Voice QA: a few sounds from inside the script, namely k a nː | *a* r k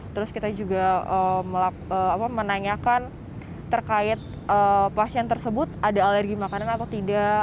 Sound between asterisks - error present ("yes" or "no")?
yes